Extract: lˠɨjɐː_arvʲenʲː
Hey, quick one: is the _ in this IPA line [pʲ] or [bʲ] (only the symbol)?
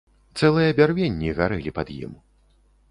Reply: bʲ